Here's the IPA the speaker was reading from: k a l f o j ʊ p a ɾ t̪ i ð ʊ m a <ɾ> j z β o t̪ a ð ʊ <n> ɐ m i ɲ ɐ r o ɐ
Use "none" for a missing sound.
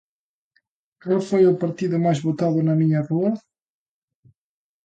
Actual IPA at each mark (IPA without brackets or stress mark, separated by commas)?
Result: none, n